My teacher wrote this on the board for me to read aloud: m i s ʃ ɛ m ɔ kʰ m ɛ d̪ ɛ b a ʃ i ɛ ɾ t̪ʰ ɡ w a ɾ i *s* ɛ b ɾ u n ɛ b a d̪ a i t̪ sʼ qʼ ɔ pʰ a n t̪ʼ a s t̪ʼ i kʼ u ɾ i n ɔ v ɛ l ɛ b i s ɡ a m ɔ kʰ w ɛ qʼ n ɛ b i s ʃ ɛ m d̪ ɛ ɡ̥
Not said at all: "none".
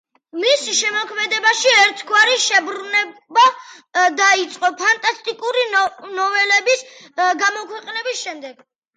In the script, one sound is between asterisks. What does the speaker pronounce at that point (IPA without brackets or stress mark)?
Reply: ʃ